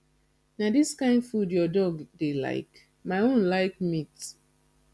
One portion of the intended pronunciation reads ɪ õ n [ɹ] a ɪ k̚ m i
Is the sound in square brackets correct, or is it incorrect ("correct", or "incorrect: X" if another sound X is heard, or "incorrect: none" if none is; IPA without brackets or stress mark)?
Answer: incorrect: l